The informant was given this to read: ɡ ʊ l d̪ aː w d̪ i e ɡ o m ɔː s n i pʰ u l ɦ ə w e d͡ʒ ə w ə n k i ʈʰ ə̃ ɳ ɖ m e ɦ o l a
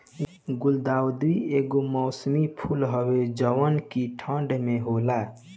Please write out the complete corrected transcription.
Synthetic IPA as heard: ɡ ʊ l d̪ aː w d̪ i e ɡ o m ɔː s m i pʰ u l ɦ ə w e d͡ʒ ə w ə n k i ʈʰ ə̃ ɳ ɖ m e ɦ o l a

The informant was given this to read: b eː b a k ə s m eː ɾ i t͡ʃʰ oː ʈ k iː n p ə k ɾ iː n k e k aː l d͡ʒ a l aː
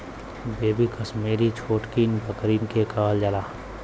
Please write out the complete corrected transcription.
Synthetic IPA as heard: b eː b i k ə s m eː ɾ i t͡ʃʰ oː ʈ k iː n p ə k ɾ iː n k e k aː l d͡ʒ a l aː

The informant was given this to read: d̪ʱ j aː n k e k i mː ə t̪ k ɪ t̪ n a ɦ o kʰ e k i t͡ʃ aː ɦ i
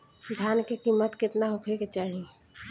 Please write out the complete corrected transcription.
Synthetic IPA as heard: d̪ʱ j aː n k e k i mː ə t̪ k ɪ t̪ n a ɦ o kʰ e k e t͡ʃ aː ɦ i

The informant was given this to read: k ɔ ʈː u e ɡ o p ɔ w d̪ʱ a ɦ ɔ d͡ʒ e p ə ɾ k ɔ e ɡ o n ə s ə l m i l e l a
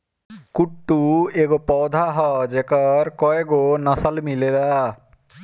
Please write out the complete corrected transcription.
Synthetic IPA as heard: k u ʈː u e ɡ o p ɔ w d̪ʱ a ɦ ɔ d͡ʒ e k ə ɾ k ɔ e ɡ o n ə s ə l m i l e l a

